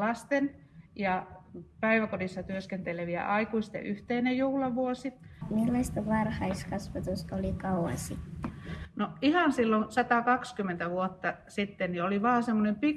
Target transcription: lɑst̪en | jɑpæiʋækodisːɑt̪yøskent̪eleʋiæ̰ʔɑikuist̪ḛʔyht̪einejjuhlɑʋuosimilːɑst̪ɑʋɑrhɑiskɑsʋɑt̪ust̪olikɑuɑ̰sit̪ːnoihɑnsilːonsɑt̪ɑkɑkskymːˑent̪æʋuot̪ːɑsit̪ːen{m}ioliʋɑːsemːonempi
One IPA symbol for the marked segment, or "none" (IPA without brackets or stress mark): n